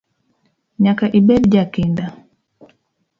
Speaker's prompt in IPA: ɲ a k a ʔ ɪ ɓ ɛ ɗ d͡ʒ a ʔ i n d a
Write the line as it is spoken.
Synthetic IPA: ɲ a k a ʔ i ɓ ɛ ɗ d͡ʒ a k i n d a